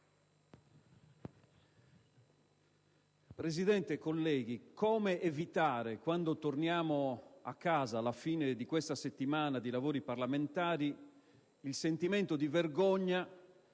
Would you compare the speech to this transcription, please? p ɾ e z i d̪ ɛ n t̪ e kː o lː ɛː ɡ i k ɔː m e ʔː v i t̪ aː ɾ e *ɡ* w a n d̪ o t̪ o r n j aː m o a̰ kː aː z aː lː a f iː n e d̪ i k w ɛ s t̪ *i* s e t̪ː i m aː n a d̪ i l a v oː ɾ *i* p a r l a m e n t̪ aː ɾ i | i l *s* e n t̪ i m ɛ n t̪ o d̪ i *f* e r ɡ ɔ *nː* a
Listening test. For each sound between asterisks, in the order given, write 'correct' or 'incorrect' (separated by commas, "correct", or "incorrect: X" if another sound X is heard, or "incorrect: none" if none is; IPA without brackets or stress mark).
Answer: incorrect: k, incorrect: a, correct, correct, incorrect: v, incorrect: ɲː